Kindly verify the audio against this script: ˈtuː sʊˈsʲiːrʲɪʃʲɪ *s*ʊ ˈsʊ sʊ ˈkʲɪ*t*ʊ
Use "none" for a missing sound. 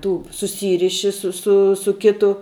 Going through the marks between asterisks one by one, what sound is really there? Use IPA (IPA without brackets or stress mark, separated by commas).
s, t